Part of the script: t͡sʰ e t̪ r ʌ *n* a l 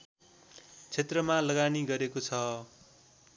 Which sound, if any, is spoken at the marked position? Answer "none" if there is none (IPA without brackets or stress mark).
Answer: m